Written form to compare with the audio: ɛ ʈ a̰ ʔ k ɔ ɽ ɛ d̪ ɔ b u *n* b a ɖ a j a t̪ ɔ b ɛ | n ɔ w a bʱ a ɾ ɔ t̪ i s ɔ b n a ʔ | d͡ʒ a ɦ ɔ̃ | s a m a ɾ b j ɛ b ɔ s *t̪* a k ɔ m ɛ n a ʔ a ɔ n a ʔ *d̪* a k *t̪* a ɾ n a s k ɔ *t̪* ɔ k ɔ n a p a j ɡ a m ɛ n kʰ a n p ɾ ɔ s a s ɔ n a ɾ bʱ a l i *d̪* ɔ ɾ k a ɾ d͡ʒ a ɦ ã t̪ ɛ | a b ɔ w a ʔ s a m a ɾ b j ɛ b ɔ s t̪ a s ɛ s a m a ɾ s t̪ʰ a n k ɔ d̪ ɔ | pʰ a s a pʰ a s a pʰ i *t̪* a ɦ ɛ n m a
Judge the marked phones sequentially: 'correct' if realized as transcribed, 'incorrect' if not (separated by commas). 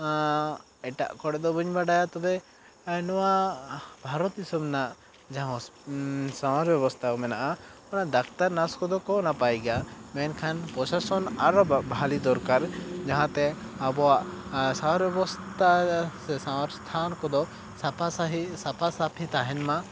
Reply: incorrect, incorrect, correct, correct, incorrect, correct, correct